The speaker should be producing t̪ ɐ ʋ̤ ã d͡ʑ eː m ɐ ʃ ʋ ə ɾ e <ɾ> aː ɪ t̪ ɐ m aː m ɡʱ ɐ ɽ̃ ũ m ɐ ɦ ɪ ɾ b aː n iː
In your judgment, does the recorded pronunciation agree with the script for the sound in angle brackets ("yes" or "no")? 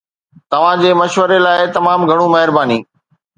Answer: no